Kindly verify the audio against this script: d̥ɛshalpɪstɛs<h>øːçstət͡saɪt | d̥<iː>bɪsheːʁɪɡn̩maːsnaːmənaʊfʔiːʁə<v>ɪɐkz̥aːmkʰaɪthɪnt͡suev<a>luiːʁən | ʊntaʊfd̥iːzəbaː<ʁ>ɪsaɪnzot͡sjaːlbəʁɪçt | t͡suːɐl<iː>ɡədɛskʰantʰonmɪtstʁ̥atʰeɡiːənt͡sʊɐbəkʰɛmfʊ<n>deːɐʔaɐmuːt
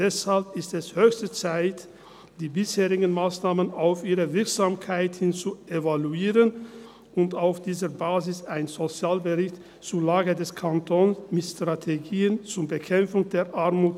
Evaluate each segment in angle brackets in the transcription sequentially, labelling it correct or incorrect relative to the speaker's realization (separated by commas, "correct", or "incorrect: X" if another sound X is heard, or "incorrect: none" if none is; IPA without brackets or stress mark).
correct, correct, correct, correct, incorrect: z, incorrect: aː, incorrect: ŋ